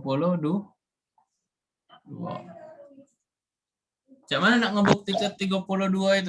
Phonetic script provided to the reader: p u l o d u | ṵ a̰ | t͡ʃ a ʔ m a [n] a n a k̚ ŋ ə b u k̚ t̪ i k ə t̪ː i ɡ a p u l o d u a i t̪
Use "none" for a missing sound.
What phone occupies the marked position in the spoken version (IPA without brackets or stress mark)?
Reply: n